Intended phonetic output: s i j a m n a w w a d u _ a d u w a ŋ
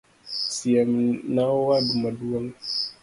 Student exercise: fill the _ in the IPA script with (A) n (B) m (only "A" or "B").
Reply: B